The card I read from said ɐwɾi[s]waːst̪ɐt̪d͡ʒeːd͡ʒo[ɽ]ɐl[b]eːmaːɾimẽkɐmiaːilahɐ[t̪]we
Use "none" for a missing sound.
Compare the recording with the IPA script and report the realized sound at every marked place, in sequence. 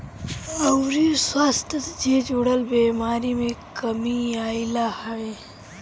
s, ɽ, b, none

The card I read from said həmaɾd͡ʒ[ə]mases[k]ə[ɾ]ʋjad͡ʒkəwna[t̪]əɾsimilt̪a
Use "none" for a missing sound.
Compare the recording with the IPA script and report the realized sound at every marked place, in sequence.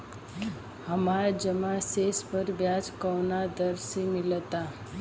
ə, p, ɾ, d̪

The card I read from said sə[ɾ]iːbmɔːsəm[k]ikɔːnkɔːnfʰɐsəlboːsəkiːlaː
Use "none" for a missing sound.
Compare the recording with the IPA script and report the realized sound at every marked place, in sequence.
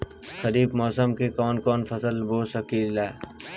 ɾ, k

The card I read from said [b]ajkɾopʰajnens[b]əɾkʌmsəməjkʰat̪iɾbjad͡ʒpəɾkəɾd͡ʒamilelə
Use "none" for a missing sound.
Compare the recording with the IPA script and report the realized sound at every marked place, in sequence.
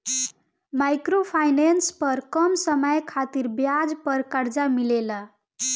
m, p

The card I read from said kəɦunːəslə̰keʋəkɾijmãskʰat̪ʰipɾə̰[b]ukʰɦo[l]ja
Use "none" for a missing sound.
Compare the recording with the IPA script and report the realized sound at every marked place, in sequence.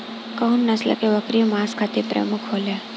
m, l

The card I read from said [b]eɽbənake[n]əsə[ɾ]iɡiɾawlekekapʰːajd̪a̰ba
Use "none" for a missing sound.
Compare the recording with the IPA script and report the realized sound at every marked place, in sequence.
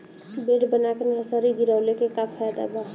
b, n, ɾ

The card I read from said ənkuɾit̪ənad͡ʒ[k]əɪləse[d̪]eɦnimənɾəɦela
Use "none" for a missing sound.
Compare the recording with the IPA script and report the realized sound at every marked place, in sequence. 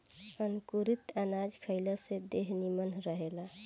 kʰ, d̪

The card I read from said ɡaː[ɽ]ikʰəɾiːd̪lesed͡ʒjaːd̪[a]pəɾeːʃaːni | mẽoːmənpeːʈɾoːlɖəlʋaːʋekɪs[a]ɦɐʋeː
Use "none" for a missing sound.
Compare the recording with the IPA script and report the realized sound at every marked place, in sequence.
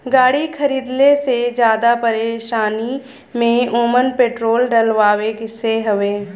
ɽ, a, e

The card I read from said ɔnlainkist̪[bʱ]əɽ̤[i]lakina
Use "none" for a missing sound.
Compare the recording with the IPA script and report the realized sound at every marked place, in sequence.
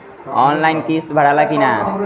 bʱ, a

